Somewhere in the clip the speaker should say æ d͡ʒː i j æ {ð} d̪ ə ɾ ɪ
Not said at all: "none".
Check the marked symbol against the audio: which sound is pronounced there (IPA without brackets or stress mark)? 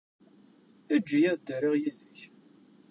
ð